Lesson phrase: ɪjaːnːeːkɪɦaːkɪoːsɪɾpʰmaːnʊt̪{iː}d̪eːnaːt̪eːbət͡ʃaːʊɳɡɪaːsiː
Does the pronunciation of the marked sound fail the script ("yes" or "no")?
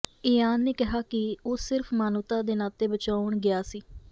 yes